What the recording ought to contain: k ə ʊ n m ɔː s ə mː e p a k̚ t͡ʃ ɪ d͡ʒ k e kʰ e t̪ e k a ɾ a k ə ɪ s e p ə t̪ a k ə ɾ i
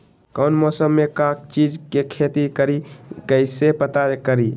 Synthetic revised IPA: k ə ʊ n m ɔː s ə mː e k a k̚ t͡ʃ i d͡ʒ k e kʰ e t̪ i k ə ɾ i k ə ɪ s e p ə t̪ a k ə ɾ i